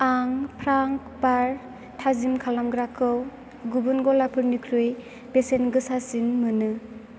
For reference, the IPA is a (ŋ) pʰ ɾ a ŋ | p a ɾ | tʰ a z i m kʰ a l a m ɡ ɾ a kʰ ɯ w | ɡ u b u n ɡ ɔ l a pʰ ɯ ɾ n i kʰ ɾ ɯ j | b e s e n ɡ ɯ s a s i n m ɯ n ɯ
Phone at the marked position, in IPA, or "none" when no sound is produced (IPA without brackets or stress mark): ŋ